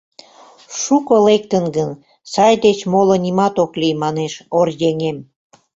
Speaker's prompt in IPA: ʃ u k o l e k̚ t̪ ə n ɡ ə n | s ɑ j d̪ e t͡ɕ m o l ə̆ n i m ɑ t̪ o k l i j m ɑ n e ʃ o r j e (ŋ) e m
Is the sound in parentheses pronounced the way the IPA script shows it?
yes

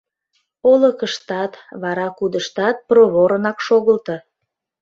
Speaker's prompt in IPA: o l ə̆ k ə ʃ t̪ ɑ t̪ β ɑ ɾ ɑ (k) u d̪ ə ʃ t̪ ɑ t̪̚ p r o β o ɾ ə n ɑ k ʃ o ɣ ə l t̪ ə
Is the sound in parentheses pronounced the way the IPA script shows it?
yes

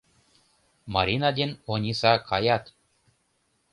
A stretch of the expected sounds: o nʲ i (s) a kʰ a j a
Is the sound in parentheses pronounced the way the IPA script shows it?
yes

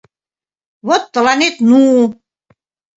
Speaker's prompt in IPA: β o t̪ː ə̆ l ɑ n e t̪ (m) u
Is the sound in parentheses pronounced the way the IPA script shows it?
no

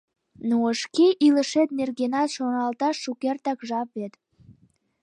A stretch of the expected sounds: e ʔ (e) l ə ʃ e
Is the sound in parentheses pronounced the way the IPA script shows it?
no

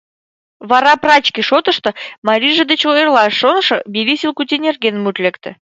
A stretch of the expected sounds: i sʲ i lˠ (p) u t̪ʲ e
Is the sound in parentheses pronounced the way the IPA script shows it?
no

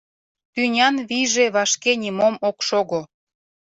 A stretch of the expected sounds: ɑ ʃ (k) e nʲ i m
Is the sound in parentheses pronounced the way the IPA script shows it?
yes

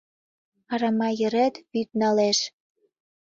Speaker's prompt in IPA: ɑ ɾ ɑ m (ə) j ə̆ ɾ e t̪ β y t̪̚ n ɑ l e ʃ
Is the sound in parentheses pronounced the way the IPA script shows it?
no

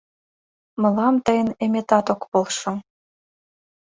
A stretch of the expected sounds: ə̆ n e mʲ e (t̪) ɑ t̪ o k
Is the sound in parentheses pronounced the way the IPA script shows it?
yes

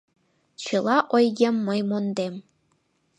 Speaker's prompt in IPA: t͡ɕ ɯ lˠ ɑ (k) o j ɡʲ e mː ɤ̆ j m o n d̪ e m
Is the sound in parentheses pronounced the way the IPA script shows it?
no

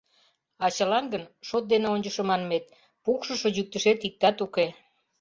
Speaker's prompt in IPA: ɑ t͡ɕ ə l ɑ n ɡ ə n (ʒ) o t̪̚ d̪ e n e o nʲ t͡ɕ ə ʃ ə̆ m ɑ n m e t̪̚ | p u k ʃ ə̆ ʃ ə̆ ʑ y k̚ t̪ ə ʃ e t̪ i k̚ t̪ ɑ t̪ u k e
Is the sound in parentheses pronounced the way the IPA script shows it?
no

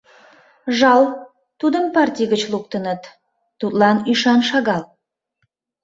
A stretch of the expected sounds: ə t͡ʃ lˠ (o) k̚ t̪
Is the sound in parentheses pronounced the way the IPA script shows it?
no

